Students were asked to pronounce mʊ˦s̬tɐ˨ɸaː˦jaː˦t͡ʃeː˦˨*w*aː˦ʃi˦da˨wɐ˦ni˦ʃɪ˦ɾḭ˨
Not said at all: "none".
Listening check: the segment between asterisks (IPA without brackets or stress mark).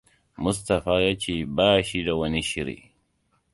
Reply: b